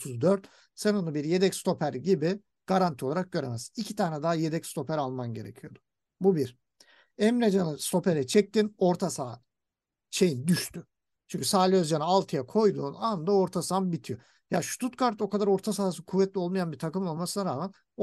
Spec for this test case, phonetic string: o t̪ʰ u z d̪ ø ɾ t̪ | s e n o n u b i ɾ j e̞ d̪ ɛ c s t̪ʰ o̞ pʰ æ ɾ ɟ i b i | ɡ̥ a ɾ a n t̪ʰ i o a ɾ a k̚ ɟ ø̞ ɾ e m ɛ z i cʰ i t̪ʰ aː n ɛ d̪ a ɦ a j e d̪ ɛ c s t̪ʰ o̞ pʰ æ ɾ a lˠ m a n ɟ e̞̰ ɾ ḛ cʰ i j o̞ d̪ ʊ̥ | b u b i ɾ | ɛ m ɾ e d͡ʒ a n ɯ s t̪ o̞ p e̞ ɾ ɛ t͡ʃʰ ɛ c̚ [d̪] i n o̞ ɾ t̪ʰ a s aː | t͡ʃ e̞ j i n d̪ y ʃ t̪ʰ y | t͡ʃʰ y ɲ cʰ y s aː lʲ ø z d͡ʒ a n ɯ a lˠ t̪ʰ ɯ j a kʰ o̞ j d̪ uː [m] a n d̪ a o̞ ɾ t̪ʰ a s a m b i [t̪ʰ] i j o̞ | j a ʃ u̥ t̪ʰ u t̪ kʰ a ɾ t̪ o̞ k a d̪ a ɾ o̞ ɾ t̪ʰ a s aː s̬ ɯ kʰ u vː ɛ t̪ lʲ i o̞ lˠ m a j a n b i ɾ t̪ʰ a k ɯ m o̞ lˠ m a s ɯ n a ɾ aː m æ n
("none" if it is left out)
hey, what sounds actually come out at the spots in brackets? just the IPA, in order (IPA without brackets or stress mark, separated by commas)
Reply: t̪, n, t̪ʰ